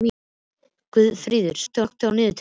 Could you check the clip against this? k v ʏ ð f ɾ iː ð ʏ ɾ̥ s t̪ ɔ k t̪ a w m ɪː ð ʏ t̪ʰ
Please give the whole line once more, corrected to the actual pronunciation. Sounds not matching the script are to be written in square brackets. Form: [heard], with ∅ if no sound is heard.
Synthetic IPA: k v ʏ ð f ɾ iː ð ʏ ɾ̥ s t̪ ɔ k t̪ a w [n] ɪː ð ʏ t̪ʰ

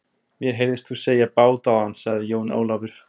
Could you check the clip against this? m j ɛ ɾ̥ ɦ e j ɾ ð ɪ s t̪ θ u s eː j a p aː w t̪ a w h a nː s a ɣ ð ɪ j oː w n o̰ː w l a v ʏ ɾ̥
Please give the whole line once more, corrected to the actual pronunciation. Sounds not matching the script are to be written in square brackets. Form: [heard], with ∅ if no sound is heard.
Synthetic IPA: m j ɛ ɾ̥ ɦ e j ɾ ð ɪ s t̪ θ u s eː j a p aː w t̪ a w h a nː s a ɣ ð ɪ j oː w n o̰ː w l a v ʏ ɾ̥

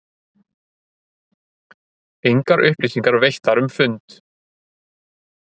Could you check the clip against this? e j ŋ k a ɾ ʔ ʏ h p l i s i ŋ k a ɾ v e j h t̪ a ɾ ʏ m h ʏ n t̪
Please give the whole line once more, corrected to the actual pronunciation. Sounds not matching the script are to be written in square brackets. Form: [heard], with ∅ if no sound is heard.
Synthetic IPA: e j ŋ k a ɾ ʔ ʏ h p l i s i ŋ k a ɾ v e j h t̪ a ɾ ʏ m [f] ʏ n t̪

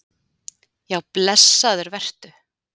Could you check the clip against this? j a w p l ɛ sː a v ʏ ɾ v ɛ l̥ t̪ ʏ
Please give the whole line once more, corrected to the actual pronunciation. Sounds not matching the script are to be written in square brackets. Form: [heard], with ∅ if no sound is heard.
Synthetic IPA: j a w p l ɛ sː a [ð] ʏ ɾ v ɛ [r̥] t̪ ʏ

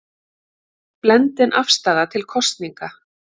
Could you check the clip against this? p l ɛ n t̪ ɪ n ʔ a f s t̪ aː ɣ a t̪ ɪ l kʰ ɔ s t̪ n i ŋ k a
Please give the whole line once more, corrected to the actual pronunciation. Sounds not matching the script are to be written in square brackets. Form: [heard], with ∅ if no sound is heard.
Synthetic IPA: p l ɛ n t̪ ɪ n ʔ a f s t̪ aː [ð] a [t̪ʰ] ɪ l kʰ ɔ s t̪ n i ŋ k a

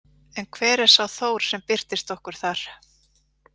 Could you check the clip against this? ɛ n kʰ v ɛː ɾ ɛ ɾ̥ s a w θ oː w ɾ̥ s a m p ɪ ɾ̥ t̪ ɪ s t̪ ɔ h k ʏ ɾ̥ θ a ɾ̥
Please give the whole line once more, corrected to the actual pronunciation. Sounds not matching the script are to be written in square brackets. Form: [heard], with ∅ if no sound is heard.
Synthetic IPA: ɛ n kʰ v ɛː ɾ ɛ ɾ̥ s a w θ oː w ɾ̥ s [ɛ] m p ɪ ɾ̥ t̪ ɪ s t̪ ɔ h k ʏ ɾ̥ θ a ɾ̥

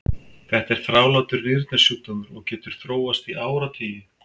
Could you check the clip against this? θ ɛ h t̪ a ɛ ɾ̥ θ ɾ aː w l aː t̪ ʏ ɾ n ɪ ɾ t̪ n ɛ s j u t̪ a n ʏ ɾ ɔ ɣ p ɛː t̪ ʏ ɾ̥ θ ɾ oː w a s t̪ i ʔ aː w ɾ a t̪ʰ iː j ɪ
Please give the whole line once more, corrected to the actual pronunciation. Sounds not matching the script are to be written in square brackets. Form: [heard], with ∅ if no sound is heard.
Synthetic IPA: θ ɛ h t̪ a ɛ ɾ̥ θ ɾ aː w l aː t̪ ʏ ɾ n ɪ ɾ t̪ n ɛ s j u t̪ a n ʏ ɾ ɔ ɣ [c] ɛː t̪ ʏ ɾ̥ θ ɾ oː w a s t̪ i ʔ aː w ɾ a t̪ʰ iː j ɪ

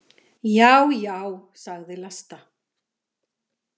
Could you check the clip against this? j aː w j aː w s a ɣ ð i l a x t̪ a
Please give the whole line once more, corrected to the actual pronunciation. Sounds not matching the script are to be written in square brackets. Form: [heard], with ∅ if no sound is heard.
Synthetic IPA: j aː w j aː w s a ɣ ð [ɪ] l a [s] t̪ a

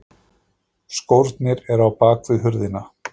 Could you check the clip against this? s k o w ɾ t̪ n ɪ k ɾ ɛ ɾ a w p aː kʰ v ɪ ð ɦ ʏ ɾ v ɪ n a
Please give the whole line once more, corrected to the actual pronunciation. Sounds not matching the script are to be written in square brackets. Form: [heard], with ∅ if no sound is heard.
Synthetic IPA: s k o w ɾ t̪ n ɪ [∅] ɾ ɛ ɾ a w p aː [k] v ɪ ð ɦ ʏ ɾ [ð] ɪ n a

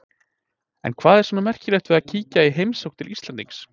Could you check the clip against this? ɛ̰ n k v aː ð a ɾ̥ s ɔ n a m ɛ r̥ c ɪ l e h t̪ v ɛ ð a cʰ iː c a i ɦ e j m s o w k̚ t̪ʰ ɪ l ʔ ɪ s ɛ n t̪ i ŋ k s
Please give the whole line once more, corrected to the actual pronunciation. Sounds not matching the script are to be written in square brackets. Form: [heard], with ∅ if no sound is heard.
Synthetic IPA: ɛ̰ n [kʰ] v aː ð [ɛ] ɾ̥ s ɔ n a m ɛ r̥ c ɪ l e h t̪ v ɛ ð a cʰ iː c a i ɦ e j m s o w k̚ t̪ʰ ɪ l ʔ [i] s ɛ n t̪ i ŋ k s

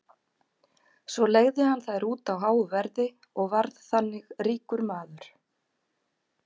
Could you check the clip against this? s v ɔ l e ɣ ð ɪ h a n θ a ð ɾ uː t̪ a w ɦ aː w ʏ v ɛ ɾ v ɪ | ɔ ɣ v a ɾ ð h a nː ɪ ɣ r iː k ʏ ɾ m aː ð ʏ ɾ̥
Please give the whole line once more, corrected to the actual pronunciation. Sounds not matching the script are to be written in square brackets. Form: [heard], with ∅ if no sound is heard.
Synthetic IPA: s v ɔ l e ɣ ð ɪ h a n θ a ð ɾ uː t̪ a w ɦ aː w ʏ v ɛ ɾ [ð] ɪ | ɔ ɣ v a ɾ ð [θ] a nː ɪ ɣ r iː k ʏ ɾ m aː ð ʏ ɾ̥

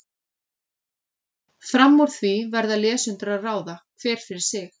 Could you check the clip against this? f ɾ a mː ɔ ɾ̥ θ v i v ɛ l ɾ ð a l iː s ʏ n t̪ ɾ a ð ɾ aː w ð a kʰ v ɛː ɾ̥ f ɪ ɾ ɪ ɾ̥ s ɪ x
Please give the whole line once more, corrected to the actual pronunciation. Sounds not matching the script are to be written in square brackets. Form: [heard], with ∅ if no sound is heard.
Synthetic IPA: f ɾ a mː ɔ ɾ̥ θ v i v ɛ [∅] ɾ ð a l [ɛː] s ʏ n t̪ ɾ a ð [r] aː w ð a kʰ v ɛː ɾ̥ f ɪ ɾ ɪ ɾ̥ s ɪ x

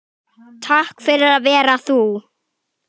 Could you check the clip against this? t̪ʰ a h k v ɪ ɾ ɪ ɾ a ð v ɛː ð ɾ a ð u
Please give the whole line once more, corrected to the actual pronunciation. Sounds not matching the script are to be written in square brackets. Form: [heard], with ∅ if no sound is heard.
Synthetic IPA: t̪ʰ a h k [f] ɪ ɾ ɪ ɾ a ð v ɛː [∅] ɾ a [θ] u

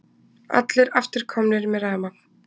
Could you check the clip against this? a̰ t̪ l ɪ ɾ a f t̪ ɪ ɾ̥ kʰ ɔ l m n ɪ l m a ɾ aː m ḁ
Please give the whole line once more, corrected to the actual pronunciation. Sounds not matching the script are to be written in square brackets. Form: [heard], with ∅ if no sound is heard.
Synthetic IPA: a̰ t̪ l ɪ ɾ a f t̪ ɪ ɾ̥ kʰ ɔ [∅] m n ɪ [ɾ] m [ɛ] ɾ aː m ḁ

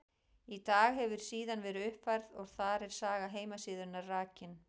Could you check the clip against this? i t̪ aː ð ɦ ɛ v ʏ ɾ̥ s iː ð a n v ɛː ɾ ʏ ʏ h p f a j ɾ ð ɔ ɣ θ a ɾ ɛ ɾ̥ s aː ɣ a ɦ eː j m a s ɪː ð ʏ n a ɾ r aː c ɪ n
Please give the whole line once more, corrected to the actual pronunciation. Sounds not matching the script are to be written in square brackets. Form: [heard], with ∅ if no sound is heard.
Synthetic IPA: i t̪ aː [ɣ] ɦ ɛ v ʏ ɾ̥ s iː ð a n v ɛː ɾ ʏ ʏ h p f a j ɾ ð ɔ ɣ θ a ɾ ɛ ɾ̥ s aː ɣ a ɦ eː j m a s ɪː ð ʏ n a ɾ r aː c ɪ n

